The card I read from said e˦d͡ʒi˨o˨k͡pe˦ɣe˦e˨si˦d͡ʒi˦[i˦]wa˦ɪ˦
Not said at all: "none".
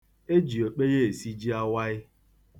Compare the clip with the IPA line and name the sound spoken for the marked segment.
a˦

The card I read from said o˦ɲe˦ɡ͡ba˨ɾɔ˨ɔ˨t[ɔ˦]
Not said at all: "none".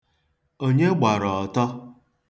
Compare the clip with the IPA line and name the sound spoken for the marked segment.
ɔ˦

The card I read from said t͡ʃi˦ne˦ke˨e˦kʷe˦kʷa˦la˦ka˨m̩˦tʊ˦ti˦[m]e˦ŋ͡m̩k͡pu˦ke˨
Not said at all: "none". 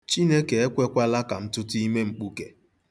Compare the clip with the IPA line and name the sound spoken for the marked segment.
m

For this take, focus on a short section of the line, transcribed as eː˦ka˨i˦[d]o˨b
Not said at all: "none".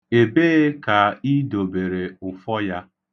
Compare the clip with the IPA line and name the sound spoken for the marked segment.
d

